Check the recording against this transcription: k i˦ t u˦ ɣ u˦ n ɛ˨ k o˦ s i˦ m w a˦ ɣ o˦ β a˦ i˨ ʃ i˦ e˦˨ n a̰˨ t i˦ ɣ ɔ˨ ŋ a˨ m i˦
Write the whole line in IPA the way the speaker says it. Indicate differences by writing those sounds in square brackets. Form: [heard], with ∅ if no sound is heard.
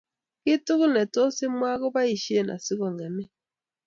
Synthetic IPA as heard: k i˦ t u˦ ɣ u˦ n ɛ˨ [t] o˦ s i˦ m w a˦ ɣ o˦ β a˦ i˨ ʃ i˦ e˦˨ n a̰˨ [s] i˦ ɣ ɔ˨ ŋ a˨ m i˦